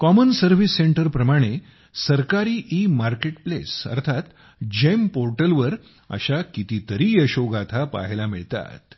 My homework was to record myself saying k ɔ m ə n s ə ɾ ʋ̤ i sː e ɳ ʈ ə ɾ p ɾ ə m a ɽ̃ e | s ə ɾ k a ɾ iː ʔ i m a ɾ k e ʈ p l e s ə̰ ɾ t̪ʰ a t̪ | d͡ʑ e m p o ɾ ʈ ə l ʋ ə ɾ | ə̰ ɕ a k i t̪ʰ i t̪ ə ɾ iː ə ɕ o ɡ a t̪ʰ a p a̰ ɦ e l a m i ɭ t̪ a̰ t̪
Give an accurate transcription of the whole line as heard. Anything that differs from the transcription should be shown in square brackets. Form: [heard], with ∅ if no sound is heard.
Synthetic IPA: k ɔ m ə n s ə ɾ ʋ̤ i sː e ɳ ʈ ə ɾ p ɾ ə m a ɽ̃ e | s ə ɾ k a ɾ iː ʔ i m a ɾ k e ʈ p l e s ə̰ ɾ t̪ʰ a t̪ | d͡ʑ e m p o ɾ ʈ ə l ʋ ə ɾ | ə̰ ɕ a k i [t̪] i t̪ ə ɾ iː ə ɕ o ɡ a t̪ʰ a p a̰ ɦ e l a m i ɭ t̪ a̰ t̪